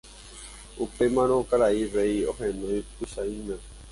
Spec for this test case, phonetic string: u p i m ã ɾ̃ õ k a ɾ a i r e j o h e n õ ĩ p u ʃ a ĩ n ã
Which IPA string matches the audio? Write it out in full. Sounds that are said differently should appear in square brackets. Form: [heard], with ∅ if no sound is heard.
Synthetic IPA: u p [e] m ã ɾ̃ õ k a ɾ a i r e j o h e n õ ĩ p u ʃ a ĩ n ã

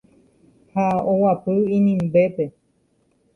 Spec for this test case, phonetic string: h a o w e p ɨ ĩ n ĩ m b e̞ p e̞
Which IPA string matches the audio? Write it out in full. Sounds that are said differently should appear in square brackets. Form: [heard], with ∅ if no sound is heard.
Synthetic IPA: h a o w [a] p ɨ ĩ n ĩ m b e̞ p e̞

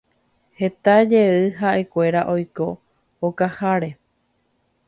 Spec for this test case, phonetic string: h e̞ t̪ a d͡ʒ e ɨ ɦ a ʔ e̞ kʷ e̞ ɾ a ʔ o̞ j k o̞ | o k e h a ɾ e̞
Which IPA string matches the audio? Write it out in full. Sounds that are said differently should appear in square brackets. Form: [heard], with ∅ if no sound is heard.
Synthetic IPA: h e̞ t̪ a d͡ʒ e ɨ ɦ a ʔ e̞ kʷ e̞ ɾ a ʔ o̞ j k o̞ | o k [a] h a ɾ e̞

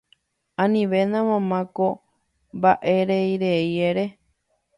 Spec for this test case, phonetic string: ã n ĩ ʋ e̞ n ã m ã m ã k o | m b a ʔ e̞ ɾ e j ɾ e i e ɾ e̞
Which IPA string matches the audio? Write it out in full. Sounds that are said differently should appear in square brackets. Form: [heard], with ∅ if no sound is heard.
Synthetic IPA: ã n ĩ ʋ e̞ n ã m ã m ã k o | m b a ʔ e̞ ɾ e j ɾ e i e ɾ e̞

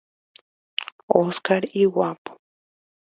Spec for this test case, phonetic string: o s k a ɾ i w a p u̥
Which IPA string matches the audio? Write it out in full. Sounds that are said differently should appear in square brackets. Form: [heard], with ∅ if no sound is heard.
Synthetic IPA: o s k a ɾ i w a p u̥

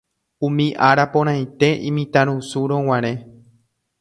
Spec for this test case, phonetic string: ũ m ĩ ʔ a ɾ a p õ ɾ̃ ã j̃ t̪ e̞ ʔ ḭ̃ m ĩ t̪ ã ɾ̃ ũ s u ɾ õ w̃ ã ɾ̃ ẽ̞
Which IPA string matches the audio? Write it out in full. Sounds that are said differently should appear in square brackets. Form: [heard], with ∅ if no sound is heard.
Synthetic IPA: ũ m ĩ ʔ a ɾ a p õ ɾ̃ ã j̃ t̪ e̞ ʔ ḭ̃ m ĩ t̪ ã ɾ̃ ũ s u ɾ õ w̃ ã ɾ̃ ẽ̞

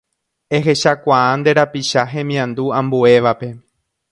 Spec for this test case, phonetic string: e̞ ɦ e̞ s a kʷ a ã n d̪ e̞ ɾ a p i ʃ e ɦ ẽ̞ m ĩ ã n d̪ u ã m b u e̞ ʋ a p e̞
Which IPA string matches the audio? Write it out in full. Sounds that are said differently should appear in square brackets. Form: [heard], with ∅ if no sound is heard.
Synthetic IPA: e̞ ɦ e̞ [ʃ] a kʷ a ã n d̪ e̞ ɾ a p i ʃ [a] ɦ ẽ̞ m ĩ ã n d̪ u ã m b u e̞ ʋ a p e̞

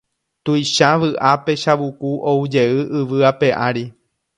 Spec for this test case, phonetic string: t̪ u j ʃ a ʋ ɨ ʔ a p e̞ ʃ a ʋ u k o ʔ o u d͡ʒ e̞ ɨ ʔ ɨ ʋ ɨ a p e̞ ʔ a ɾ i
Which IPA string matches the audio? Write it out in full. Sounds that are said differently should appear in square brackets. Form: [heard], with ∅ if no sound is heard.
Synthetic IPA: t̪ u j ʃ a ʋ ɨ ʔ a p e̞ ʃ a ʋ u k [u] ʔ o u d͡ʒ e̞ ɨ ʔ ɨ ʋ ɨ a p e̞ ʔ a ɾ i

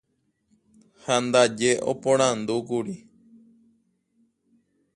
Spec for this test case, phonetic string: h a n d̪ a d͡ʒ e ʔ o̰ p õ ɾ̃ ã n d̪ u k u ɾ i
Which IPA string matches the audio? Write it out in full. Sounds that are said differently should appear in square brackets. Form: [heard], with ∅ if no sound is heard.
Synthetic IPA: h a n d̪ a d͡ʒ e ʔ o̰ p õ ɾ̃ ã n d̪ u k u ɾ i

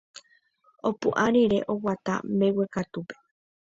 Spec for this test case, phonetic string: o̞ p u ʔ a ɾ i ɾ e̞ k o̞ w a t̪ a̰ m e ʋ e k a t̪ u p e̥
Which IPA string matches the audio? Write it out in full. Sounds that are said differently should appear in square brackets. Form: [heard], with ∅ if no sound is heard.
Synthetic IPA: o̞ p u ʔ a ɾ i ɾ e̞ [ʔ] o̞ w a t̪ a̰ m e [w] e k a t̪ u p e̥

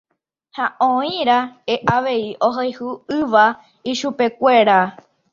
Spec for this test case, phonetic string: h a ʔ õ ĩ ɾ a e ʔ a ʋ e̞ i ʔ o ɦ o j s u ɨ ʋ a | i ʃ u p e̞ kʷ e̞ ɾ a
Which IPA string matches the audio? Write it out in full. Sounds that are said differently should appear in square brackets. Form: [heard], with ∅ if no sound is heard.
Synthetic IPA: h a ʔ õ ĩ ɾ a e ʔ a ʋ e̞ i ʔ o ɦ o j [h] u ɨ ʋ a | i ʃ u p e̞ kʷ e̞ ɾ a

